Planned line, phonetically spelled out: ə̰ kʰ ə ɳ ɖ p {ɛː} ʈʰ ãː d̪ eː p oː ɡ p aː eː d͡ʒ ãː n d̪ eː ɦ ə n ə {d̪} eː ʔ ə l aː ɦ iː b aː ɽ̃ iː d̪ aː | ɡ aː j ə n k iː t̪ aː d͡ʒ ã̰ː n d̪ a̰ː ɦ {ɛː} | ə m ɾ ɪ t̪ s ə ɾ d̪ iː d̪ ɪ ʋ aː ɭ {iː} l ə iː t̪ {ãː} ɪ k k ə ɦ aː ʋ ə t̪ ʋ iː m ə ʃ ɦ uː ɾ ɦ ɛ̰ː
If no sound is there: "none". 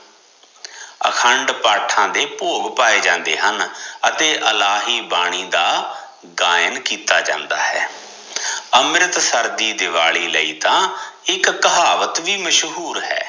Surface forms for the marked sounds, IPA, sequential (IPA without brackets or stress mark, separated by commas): aː, t̪, ɛː, iː, ãː